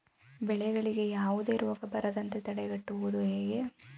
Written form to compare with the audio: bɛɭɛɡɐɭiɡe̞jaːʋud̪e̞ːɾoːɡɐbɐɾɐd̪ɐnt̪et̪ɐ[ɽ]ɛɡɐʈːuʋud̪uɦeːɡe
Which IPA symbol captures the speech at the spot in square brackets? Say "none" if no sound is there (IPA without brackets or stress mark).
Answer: ɽ